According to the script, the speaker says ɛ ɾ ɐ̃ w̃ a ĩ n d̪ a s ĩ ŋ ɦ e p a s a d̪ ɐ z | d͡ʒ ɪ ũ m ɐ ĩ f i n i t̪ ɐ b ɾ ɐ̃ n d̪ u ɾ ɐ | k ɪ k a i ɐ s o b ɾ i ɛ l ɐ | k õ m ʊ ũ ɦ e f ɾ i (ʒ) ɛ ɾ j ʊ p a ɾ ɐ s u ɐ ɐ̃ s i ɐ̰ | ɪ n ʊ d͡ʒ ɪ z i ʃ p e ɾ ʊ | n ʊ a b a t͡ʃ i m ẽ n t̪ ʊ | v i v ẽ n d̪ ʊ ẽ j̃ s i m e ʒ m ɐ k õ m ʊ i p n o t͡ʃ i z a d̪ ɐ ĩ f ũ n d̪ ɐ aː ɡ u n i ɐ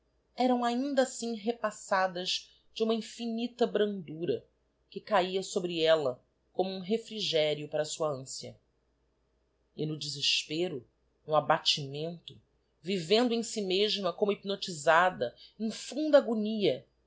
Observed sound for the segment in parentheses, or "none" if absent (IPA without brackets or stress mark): ʒ